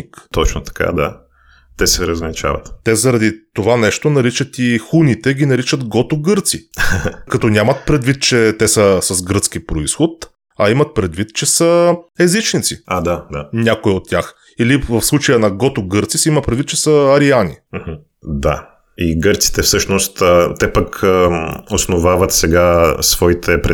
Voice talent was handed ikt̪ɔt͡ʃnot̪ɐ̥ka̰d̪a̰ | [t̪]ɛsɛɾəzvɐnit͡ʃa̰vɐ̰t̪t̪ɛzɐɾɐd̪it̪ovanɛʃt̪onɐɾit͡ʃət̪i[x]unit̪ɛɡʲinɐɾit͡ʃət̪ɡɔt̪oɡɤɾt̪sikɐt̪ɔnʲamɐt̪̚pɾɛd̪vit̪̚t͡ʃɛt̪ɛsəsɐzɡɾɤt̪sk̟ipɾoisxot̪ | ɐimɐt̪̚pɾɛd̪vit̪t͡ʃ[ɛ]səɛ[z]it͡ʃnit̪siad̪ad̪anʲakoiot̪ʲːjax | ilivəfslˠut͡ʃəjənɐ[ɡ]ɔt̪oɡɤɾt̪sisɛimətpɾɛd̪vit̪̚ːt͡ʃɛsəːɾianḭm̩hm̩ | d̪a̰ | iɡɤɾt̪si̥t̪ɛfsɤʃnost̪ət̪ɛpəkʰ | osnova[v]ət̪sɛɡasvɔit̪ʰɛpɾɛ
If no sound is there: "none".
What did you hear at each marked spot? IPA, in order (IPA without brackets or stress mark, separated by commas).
t̪, x, ɛ, z, ɡ, v